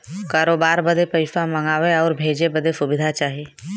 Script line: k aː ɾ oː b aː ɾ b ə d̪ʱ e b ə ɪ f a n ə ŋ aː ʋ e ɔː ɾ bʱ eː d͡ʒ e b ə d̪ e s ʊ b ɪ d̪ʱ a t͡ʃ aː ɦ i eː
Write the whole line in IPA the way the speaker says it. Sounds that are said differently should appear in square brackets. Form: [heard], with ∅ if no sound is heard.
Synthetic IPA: k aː ɾ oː b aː ɾ b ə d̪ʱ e [p] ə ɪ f a [m] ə ŋ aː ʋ e ɔː ɾ bʱ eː d͡ʒ e b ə d̪ e s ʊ b ɪ d̪ʱ a t͡ʃ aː ɦ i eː